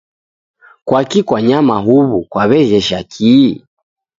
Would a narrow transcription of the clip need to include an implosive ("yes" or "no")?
no